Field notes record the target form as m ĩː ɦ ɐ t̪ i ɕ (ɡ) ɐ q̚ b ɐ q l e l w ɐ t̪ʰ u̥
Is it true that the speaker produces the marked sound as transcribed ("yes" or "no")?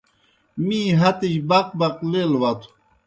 no